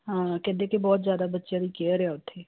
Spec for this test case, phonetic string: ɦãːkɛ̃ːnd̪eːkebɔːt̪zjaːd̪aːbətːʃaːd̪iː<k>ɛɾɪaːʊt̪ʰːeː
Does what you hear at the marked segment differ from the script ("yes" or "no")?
no